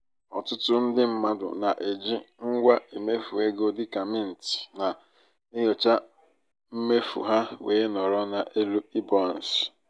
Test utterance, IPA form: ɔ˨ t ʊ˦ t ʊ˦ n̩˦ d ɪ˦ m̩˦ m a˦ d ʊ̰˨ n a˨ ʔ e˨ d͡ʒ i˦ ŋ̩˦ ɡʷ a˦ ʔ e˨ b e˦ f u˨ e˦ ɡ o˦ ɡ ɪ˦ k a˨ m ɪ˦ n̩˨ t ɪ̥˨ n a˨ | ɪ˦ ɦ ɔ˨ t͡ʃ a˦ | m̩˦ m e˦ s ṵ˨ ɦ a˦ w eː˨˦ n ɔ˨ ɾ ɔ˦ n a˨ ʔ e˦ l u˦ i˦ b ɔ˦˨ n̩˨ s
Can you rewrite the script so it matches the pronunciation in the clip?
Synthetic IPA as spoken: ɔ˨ t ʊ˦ t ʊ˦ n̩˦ d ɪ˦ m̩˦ m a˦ d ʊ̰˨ n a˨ ʔ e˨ d͡ʒ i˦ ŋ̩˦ ɡʷ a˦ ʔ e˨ m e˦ f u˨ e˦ ɡ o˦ d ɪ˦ k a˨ m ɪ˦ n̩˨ t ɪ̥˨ n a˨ | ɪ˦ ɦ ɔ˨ t͡ʃ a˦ | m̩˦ m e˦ f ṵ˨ ɦ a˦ w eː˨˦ n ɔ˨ ɾ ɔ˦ n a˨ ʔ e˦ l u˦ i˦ b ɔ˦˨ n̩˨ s